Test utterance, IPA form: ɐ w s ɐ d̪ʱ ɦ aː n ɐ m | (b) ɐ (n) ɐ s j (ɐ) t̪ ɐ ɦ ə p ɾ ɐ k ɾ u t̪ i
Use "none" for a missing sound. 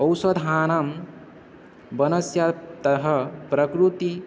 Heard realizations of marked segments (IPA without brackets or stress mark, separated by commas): b, n, a